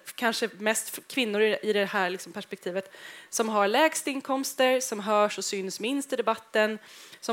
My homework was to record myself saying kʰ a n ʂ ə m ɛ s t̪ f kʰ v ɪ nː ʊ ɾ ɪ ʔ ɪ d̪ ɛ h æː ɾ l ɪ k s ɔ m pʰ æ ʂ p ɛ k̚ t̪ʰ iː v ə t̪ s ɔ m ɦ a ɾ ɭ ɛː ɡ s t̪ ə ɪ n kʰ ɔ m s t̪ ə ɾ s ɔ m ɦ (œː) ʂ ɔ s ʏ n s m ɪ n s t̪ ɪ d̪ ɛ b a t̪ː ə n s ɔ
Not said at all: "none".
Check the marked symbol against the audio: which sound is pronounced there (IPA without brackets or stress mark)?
œː